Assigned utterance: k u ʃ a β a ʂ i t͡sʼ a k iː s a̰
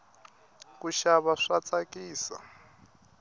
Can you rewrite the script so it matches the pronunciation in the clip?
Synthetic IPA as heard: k u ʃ a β a ʂ a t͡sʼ a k iː s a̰